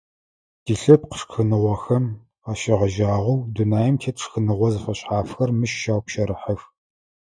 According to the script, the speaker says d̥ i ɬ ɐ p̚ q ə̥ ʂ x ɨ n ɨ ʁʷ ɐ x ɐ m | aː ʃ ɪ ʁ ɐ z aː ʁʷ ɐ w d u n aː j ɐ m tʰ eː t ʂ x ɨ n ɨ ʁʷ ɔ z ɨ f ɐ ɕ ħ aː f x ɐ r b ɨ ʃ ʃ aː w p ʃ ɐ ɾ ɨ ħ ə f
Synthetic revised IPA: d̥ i ɬ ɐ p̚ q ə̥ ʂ x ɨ n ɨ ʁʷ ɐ x ɐ m | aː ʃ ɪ ʁ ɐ ʒ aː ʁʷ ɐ w d u n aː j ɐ m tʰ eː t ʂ x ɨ n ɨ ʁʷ ɔ z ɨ f ɐ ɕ ħ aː f x ɐ r m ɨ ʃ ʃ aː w p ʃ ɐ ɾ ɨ ħ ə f